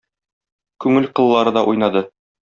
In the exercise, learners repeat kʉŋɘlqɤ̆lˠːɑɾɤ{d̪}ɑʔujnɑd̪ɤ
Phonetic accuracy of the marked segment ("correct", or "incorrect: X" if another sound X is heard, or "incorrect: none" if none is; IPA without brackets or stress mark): correct